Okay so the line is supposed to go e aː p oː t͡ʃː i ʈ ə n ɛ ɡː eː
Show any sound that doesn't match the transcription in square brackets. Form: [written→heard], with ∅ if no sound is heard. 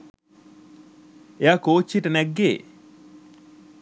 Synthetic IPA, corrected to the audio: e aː [p→k] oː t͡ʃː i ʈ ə n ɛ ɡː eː